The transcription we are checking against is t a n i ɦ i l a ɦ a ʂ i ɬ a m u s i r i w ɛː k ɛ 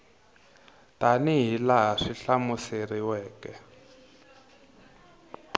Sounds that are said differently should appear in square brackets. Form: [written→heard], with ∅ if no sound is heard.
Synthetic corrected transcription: t a n i ɦ i l a ɦ a ʂ i ɬ a m u s [i→e] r i w ɛː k ɛ